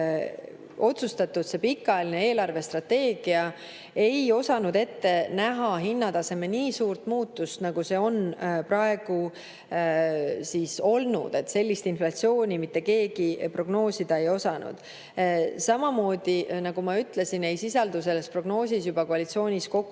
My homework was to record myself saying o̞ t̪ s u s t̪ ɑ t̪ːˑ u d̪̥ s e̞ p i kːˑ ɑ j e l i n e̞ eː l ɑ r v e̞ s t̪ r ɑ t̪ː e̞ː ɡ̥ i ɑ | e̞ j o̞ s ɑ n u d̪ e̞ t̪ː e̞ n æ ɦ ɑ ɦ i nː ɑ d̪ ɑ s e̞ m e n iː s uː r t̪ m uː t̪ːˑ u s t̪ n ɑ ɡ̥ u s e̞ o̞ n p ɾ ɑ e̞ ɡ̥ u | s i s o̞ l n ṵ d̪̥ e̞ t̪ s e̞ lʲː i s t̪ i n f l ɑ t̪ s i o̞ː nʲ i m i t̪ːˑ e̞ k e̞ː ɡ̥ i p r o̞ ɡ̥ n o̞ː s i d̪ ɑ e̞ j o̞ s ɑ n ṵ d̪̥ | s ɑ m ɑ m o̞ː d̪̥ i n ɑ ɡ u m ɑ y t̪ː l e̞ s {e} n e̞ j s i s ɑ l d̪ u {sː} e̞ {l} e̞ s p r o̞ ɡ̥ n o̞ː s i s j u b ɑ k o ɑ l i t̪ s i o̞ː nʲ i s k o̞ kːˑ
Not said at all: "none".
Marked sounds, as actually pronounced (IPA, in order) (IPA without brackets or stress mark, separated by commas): i, s, lː